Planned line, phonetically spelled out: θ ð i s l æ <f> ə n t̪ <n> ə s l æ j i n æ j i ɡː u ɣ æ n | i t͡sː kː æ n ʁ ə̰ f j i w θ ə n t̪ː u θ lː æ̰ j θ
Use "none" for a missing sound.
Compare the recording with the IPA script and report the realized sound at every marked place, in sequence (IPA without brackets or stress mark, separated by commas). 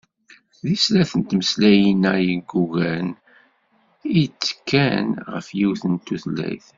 θ, m